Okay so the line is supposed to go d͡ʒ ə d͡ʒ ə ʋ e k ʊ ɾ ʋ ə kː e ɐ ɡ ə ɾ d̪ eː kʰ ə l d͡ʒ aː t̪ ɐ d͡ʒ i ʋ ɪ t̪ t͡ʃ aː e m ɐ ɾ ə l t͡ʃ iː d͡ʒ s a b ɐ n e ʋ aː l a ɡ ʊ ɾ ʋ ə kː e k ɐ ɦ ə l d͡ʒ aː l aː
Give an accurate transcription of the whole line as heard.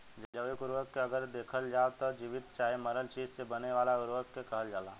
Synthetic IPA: d͡ʒ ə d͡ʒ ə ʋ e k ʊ ɾ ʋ ə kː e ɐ ɡ ə ɾ d̪ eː kʰ ə l d͡ʒ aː t̪ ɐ d͡ʒ i ʋ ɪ t̪ t͡ʃ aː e m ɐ ɾ ə l t͡ʃ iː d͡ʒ s e b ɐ n e ʋ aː l a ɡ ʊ ɾ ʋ ə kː e k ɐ ɦ ə l d͡ʒ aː l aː